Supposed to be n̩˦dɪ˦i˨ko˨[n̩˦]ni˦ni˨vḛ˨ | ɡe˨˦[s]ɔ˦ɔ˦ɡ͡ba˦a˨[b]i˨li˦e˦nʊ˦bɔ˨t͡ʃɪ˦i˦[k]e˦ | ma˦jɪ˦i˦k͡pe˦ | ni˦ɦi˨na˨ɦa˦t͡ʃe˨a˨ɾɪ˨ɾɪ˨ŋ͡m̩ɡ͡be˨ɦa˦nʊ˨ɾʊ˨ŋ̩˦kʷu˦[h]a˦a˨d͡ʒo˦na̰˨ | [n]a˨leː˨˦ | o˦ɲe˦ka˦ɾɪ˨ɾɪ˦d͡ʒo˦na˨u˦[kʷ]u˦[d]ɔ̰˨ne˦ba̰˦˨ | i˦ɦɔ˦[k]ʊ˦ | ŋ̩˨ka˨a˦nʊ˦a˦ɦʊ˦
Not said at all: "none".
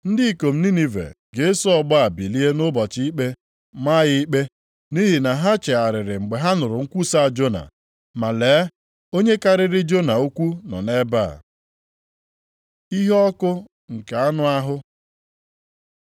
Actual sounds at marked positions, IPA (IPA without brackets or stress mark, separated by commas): m̩˦, s, b, k͡p, s, m, kʷ, n, k